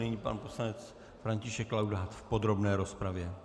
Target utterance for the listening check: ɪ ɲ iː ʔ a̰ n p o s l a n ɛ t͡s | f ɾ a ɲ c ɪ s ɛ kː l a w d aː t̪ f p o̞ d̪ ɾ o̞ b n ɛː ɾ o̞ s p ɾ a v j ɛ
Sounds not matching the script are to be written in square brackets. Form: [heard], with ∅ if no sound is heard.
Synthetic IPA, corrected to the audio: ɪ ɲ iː [p] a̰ n p o s l a n ɛ t͡s | f ɾ a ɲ c ɪ [ʃ] ɛ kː l a w d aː t̪ f p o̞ d̪ ɾ o̞ b n ɛː ɾ o̞ s p ɾ a v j ɛ